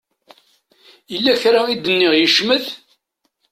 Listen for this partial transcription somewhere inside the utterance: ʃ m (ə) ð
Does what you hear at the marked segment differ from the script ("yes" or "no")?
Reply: no